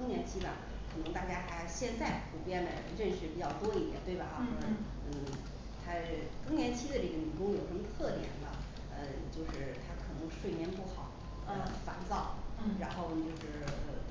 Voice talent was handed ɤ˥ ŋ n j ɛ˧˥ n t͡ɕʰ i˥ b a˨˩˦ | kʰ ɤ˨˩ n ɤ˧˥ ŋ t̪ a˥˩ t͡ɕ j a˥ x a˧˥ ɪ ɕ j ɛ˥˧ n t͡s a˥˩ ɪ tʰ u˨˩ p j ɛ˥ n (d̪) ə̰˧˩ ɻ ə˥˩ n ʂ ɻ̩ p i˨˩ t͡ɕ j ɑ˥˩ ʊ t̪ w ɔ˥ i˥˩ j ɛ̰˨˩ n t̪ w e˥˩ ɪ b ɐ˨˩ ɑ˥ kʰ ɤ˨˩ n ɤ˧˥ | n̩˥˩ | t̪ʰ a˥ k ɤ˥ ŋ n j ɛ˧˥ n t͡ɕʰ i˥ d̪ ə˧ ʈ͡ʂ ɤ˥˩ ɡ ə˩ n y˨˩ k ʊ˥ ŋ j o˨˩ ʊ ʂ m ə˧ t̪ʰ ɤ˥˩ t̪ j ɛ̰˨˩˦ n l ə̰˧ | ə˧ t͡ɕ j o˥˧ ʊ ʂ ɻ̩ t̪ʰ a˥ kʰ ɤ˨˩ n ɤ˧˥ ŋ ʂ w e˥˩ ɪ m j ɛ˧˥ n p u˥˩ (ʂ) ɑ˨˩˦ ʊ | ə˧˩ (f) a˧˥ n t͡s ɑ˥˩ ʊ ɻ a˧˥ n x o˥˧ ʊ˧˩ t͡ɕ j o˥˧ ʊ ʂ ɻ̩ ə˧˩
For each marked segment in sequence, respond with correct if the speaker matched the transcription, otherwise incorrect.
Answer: correct, incorrect, correct

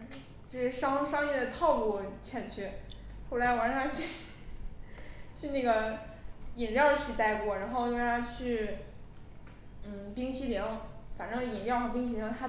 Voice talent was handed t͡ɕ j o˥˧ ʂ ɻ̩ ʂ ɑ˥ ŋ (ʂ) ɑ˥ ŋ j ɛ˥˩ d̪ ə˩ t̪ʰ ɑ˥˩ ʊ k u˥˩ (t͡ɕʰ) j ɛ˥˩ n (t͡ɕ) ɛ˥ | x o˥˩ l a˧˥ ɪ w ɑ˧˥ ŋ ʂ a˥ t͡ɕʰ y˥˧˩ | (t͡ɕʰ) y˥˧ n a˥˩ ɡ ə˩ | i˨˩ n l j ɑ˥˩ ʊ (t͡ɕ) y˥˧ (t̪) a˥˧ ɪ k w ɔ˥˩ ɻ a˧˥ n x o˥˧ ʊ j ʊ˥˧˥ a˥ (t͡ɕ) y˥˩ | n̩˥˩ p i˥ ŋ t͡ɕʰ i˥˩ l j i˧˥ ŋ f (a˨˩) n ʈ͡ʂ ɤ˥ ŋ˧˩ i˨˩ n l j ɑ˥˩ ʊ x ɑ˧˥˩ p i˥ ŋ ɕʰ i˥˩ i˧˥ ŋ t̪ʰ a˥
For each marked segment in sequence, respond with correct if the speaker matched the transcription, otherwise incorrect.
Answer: correct, correct, incorrect, correct, incorrect, correct, incorrect, correct

